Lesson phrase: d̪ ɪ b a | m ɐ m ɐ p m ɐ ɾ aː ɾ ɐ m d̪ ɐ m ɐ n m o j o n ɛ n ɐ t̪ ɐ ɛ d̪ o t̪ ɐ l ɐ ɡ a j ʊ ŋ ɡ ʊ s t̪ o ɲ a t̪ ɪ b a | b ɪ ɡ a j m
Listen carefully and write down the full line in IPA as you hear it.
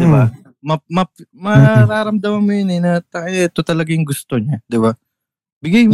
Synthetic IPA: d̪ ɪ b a | m ɐ m ɐ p m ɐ ɾ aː ɾ ɐ m d̪ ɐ m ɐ n m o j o n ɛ n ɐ t̪ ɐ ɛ t̪ o t̪ ɐ l ɐ ɡ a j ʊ ŋ ɡ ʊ s t̪ o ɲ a d̪ ɪ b a | b ɪ ɡ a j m